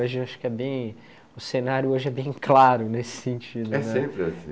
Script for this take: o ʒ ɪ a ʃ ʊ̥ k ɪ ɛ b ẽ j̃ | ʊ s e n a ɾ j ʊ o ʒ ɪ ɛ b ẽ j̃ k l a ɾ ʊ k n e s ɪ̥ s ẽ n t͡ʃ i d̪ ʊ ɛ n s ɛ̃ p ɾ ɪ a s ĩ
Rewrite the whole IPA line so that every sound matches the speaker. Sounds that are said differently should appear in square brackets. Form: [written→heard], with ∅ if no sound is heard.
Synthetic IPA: o ʒ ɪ a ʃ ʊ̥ k ɪ ɛ b ẽ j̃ | ʊ s e n a ɾ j ʊ o ʒ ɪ ɛ b ẽ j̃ k l a ɾ ʊ [k→∅] n e s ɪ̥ s ẽ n t͡ʃ i d̪ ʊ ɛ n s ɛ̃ p ɾ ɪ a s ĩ